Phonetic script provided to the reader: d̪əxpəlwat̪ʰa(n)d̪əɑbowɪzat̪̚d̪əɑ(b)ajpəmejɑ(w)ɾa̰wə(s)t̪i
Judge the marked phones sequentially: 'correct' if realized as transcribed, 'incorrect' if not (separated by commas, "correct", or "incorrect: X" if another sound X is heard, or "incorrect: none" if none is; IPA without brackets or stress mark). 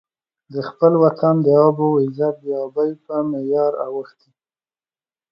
correct, correct, incorrect: none, incorrect: x